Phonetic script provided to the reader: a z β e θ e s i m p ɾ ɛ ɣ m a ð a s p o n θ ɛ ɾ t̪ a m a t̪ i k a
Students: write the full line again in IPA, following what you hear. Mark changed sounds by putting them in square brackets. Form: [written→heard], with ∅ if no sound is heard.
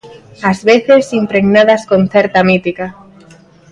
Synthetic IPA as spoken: a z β e θ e s i m p ɾ [ɛ→e] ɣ [m→n] a ð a s [p→k] o n θ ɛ ɾ t̪ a m [a→i] t̪ i k a